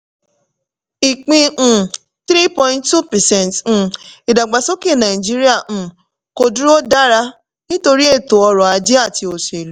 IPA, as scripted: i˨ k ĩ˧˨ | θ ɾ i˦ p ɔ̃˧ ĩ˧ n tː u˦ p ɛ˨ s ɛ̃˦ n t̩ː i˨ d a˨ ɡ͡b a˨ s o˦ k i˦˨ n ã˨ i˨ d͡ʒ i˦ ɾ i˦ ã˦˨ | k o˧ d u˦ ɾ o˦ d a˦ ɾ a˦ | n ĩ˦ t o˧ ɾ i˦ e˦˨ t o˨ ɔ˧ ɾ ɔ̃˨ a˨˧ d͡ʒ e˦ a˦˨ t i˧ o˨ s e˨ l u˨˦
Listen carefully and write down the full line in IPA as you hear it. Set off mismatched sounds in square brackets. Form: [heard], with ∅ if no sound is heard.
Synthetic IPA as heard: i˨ [k͡p] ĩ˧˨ | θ ɾ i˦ p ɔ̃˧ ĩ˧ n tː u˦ p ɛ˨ s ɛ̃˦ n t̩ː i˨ d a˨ ɡ͡b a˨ s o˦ k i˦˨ n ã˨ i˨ d͡ʒ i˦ ɾ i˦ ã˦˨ | k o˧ d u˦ ɾ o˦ d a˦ ɾ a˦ | n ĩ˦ t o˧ ɾ i˦ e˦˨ t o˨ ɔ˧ ɾ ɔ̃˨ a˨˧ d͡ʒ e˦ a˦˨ t i˧ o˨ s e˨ l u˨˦